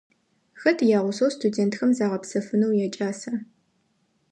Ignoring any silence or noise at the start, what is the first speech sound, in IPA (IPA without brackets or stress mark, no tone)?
x